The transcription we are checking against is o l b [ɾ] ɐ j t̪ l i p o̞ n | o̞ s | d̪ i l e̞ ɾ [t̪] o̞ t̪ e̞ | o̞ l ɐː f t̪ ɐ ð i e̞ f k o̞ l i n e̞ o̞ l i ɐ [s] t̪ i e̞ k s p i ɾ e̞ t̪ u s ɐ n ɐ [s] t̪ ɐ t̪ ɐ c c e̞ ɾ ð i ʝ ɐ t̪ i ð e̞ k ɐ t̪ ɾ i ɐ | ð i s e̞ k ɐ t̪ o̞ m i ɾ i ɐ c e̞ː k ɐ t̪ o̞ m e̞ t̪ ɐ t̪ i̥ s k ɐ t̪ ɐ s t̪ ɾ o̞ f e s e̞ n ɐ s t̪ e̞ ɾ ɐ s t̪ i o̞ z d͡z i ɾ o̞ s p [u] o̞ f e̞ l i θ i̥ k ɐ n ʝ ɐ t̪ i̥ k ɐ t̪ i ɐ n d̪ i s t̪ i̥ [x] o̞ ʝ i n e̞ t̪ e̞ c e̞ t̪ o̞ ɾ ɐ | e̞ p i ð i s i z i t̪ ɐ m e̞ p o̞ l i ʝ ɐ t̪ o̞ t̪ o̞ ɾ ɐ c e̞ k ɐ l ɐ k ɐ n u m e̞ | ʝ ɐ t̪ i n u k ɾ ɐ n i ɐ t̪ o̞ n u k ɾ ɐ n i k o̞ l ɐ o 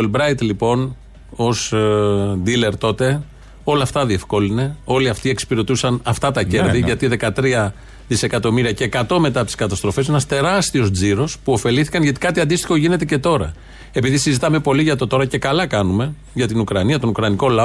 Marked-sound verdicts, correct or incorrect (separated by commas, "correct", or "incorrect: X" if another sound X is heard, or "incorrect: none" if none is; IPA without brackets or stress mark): correct, correct, incorrect: f, incorrect: f, correct, correct